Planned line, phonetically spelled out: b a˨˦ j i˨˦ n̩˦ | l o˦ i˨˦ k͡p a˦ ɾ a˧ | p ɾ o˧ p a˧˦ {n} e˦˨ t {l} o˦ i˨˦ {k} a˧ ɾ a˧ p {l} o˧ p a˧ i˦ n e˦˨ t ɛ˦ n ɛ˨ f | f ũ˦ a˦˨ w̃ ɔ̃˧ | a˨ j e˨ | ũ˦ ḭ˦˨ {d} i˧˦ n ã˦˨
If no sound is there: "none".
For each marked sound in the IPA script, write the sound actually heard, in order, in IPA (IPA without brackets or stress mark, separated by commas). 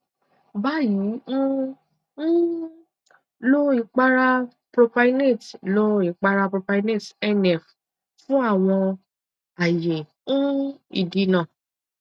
n, l, k͡p, ɾ, d